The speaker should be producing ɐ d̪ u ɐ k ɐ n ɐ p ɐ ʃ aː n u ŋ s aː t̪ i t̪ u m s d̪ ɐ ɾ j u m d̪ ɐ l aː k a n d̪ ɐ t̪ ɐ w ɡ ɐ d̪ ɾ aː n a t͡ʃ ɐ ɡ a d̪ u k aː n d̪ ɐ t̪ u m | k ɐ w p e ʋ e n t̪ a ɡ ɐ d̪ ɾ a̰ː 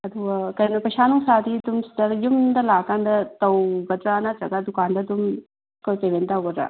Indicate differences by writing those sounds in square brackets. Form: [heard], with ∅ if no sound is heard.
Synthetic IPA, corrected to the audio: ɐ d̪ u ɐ k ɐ n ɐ p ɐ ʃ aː n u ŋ s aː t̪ i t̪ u m s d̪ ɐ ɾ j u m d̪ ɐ l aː k a n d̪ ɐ t̪ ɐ w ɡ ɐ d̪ ɾ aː n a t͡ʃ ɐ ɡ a d̪ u k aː n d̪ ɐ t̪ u m | k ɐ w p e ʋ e n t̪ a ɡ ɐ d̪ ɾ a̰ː

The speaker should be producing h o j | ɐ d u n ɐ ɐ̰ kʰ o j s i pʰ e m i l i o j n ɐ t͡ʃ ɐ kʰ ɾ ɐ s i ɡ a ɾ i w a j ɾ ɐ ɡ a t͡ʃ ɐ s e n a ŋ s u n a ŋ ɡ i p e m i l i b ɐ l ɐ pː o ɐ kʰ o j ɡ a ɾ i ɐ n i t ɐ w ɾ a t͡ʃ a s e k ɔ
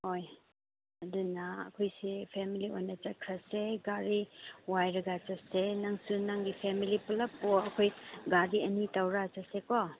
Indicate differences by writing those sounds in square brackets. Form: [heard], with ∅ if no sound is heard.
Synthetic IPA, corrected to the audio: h o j | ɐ d u n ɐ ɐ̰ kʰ o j s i pʰ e m i l i o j n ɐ t͡ʃ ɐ kʰ ɾ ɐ s [e] ɡ a ɾ i w a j ɾ ɐ ɡ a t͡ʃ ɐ s e n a ŋ s u n a ŋ ɡ i [pʰ] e m i l i [p] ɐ l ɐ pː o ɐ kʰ o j ɡ a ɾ i ɐ n i t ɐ w ɾ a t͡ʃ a s e k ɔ

